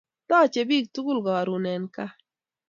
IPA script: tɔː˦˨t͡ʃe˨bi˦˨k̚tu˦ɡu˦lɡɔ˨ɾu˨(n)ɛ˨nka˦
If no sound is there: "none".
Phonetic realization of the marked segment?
n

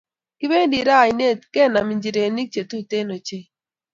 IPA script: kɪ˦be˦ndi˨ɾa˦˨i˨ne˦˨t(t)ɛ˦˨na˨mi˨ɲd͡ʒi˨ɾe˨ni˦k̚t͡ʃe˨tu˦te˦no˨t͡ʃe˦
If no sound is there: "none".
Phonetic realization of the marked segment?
k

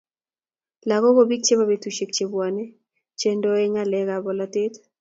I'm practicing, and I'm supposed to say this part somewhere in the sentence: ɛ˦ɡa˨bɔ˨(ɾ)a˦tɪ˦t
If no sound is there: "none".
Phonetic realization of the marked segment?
l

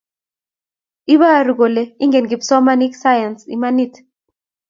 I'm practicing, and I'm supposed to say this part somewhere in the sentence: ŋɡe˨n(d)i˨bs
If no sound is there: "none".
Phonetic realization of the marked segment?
ɡ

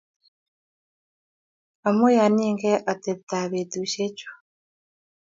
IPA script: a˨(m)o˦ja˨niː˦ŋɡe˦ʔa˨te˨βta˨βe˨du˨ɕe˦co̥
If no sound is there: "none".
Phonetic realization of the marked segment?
m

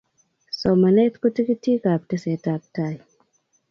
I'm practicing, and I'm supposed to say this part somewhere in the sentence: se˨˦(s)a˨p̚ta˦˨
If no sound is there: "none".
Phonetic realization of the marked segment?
t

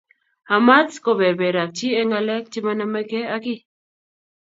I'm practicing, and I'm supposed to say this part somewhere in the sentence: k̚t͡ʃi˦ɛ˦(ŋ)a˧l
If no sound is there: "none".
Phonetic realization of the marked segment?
ŋ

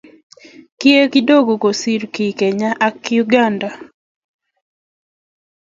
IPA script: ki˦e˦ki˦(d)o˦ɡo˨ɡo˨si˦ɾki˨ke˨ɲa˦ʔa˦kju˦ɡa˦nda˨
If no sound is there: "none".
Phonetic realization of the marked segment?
d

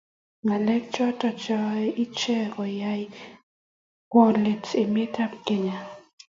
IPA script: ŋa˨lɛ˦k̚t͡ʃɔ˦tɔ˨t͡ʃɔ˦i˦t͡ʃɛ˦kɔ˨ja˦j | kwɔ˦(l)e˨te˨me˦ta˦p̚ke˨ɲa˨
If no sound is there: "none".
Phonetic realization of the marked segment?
l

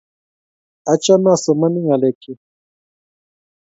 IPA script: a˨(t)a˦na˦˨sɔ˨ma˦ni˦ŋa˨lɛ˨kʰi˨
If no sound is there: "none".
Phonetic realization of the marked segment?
t͡ʃ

